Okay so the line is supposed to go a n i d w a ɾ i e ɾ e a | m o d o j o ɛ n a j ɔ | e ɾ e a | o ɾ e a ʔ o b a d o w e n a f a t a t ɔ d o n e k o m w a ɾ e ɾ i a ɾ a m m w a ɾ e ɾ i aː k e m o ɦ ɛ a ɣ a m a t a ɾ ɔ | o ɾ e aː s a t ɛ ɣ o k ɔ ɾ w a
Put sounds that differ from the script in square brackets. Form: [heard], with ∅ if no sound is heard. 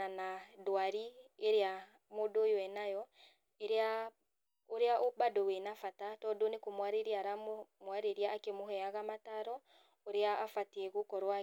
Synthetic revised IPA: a n [a] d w a ɾ i e ɾ e a | m o d o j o ɛ n a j ɔ | e ɾ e a | o ɾ e a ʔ o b a d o w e n a f a t a t ɔ d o n e k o m w a ɾ e ɾ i a ɾ a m m w a ɾ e ɾ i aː k e m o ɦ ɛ a ɣ a m a t a ɾ ɔ | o ɾ e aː [f] a t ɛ ɣ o k ɔ ɾ w a